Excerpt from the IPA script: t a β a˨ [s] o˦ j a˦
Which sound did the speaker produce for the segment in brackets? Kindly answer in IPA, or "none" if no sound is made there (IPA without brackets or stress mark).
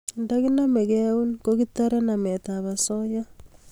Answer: s